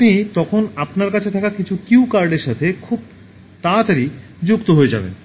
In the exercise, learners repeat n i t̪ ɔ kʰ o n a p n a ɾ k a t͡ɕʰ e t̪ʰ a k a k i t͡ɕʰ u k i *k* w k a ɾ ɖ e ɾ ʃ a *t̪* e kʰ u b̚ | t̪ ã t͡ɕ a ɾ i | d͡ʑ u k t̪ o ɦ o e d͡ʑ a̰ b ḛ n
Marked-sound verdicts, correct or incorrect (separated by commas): incorrect, incorrect